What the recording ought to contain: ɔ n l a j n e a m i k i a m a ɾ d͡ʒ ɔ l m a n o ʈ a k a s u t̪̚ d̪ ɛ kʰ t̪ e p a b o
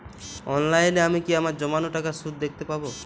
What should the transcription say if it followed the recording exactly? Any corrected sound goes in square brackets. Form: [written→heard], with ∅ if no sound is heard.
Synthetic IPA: ɔ n l a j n e a m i k i a m a ɾ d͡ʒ ɔ [l→∅] m a n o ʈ a k a s u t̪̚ d̪ [ɛ→e] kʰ t̪ e p a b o